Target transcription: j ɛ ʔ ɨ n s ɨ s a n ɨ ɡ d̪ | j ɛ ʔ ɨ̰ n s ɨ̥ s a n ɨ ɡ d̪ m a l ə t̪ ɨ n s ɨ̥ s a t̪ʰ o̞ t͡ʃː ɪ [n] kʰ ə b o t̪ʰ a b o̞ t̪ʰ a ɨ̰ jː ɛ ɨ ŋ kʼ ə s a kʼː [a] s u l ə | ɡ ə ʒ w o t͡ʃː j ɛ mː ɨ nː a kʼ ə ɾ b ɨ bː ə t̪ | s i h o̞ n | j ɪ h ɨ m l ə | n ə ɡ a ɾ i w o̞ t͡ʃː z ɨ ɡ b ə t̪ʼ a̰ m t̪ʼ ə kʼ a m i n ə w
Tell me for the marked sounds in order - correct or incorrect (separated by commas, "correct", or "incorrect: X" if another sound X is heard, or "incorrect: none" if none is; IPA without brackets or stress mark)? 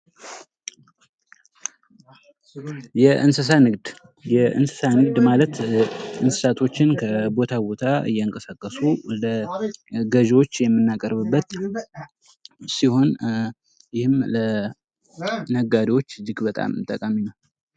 correct, incorrect: ə